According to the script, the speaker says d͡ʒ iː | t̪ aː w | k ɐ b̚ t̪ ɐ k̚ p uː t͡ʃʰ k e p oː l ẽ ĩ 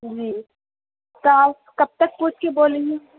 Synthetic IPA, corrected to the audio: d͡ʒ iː | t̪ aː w | k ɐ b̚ t̪ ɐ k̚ p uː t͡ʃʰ k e b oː l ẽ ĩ